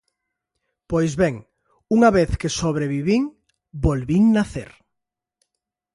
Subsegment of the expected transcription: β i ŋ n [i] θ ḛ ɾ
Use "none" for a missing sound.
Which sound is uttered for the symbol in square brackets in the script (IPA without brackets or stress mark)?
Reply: a